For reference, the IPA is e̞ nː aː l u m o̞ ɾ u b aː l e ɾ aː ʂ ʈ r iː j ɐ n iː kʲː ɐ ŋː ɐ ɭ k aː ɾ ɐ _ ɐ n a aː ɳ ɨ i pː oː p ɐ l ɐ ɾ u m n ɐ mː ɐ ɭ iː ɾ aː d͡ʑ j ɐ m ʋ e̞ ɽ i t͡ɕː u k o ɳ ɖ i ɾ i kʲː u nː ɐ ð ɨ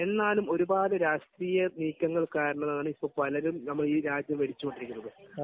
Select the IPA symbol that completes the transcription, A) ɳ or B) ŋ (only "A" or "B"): A